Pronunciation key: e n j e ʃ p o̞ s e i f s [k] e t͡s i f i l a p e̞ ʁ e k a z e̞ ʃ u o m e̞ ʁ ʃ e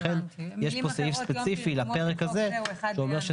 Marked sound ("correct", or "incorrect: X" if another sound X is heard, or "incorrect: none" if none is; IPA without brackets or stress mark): incorrect: p